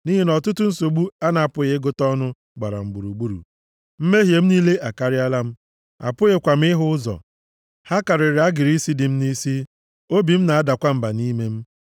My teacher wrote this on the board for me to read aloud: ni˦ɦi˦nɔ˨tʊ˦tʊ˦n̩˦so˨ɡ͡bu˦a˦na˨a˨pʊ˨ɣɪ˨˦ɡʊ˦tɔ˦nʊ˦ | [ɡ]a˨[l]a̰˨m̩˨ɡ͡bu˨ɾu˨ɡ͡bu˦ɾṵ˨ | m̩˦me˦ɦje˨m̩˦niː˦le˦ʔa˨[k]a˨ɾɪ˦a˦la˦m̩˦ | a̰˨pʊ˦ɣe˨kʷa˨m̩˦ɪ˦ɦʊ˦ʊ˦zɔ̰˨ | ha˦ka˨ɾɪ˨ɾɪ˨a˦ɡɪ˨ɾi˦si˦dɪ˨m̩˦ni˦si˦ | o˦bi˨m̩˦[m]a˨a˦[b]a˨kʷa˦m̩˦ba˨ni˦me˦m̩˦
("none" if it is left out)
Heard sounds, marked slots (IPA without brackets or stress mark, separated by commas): ɡ͡b, ɾ, k, n, d